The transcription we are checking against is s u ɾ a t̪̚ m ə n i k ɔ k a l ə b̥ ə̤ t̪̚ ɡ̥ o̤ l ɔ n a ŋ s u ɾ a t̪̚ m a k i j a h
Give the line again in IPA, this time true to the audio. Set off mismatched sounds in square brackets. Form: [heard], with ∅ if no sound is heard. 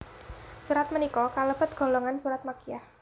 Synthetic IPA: s u ɾ a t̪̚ m ə n i k ɔ k a l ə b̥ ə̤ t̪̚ ɡ̥ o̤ l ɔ [ŋ] a [n] s u ɾ a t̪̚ m a k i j a h

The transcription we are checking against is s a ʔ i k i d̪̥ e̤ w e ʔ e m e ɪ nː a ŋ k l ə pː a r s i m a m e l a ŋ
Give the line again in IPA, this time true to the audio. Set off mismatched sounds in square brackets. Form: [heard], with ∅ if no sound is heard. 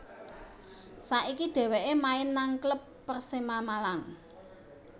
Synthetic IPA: s a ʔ i k i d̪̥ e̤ w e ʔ e m [a] ɪ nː a ŋ k l ə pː [ə] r s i m a m [a] l a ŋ

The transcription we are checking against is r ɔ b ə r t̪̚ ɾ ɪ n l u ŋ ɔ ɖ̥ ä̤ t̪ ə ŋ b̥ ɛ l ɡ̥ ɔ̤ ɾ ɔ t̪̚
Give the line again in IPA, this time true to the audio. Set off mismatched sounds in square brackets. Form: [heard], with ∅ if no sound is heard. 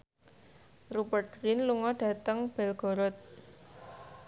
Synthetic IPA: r [u] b ə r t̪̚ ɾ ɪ n l u ŋ ɔ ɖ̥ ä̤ t̪ ə ŋ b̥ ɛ l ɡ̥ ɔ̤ ɾ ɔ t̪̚

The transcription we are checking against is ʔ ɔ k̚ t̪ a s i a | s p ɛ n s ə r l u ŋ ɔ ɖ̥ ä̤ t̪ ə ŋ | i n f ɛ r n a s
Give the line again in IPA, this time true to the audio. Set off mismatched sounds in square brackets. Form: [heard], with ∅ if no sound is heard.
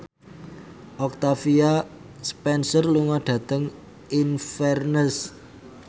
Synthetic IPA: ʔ ɔ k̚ t̪ a [f] i a | s p ɛ n s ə r l u ŋ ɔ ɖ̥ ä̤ t̪ ə ŋ | i n f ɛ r n [ə] s

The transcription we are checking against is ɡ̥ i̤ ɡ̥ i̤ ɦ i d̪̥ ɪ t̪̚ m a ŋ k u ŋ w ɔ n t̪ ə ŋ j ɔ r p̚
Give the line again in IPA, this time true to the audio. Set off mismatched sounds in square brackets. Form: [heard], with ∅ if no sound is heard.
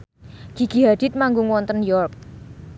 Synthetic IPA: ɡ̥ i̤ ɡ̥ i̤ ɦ [a] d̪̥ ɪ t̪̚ m a ŋ [ɡ] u ŋ w ɔ n t̪ ə [n] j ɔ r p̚

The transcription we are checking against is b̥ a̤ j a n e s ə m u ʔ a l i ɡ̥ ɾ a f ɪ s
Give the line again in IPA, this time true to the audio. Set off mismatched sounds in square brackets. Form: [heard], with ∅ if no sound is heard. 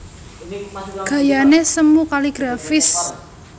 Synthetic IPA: [ɡ̥] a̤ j a n e s ə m u [k] a l i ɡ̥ ɾ a f ɪ s

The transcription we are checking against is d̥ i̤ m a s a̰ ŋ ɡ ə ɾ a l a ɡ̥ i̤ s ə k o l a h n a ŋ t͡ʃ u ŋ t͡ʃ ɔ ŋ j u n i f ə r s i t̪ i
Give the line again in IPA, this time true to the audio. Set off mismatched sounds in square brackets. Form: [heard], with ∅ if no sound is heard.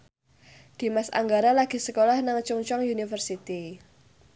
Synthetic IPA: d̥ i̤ m a s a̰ ŋ ɡ [a] ɾ a l a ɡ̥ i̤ s ə k o l a h n a ŋ t͡ʃ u ŋ t͡ʃ ɔ ŋ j u n i f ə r s i t̪ i

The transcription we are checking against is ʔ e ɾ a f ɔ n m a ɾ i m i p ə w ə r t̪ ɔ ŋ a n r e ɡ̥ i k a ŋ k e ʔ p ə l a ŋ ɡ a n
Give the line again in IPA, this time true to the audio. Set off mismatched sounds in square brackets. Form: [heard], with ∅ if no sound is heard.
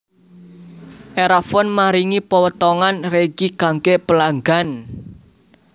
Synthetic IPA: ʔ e ɾ a f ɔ n m a ɾ i [ŋ] i p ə w ə [∅] t̪ ɔ ŋ a n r e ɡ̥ i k a ŋ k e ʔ p ə l a ŋ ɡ a n

